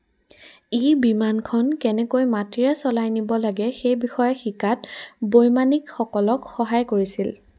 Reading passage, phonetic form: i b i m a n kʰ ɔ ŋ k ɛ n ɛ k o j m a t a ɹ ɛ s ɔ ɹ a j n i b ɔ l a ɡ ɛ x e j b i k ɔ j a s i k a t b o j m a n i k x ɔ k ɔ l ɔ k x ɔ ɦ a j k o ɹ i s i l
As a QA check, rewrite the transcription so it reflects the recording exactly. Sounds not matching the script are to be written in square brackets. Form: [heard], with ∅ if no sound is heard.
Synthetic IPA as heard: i b i m a n kʰ ɔ [n] k ɛ n ɛ k o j m a t [i] ɹ ɛ s ɔ [l] a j n i b ɔ l a ɡ ɛ x e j b i [x] ɔ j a [x] i k a t b o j m a n i k x ɔ k ɔ l ɔ k x ɔ ɦ a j k o ɹ i s i l